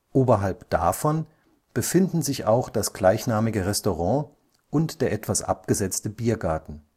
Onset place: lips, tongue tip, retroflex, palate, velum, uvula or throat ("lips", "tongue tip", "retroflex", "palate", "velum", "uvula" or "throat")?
throat